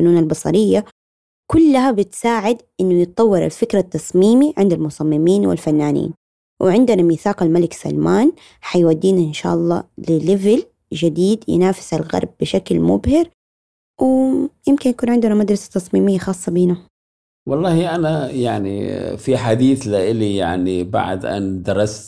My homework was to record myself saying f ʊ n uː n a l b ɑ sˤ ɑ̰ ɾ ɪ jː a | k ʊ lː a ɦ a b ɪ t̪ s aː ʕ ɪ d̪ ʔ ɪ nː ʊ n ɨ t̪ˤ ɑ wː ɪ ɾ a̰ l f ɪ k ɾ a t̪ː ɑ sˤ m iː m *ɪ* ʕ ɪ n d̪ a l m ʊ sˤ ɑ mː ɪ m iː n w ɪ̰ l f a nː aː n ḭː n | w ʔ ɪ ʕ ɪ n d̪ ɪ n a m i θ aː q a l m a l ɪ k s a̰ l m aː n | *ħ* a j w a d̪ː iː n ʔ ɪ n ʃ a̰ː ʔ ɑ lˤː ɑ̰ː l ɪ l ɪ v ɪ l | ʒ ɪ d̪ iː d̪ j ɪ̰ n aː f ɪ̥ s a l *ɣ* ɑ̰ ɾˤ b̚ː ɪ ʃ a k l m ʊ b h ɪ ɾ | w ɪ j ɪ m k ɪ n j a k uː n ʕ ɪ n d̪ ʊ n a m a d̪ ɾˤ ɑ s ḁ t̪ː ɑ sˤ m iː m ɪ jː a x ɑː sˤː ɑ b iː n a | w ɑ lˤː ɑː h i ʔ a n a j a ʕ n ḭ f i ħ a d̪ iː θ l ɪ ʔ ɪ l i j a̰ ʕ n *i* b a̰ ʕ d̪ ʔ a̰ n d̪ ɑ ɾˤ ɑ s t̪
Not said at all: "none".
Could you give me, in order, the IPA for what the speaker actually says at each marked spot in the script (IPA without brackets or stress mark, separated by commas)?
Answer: i, ħ, ɣ, i